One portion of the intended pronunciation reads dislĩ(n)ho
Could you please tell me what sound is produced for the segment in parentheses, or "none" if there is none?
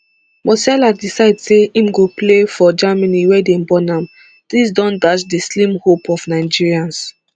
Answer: m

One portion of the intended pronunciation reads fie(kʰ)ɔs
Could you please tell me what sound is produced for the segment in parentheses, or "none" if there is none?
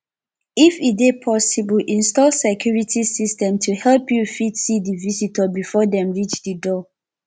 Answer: pʰ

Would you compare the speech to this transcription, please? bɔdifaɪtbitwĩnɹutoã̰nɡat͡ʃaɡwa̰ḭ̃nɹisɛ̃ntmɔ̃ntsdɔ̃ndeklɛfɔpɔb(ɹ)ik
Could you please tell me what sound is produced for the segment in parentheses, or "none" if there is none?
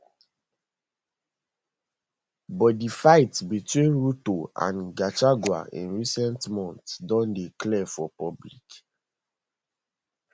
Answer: l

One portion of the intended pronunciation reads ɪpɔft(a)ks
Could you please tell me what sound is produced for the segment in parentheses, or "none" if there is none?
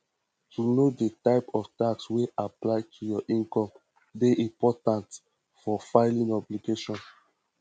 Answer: a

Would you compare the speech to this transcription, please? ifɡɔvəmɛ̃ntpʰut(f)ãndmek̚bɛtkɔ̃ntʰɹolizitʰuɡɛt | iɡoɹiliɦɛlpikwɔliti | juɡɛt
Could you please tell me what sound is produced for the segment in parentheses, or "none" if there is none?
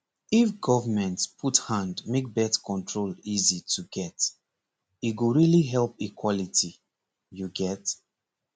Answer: h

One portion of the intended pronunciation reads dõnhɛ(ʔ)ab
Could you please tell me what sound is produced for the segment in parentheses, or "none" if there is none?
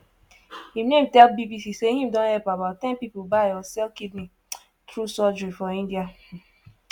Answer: p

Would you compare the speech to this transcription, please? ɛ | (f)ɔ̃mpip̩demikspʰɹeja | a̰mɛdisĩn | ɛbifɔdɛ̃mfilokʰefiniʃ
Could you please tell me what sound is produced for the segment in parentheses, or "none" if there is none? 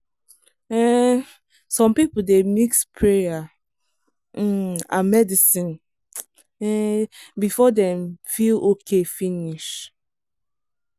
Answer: s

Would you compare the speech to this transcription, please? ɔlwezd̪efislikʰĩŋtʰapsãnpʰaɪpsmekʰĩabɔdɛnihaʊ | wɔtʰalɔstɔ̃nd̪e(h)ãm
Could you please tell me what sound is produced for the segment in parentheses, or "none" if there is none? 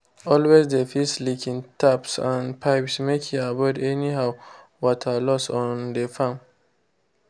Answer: f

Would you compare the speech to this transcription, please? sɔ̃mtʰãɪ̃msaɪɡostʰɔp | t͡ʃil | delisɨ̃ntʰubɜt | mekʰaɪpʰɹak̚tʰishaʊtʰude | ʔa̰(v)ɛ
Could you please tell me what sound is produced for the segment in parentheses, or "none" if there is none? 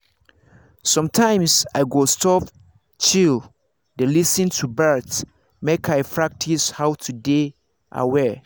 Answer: w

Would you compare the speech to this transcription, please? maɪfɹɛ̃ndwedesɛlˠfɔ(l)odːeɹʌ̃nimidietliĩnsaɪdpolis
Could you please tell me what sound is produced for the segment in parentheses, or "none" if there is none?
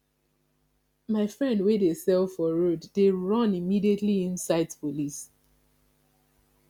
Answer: ɹ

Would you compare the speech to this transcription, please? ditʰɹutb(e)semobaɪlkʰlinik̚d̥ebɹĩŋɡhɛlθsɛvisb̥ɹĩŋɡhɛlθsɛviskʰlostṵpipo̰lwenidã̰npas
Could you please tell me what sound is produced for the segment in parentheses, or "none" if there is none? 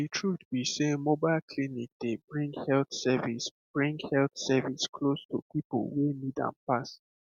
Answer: i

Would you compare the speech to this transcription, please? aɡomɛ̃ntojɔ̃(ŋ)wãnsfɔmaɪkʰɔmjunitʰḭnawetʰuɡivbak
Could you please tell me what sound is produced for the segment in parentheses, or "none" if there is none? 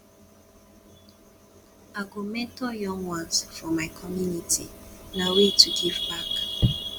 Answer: ŋ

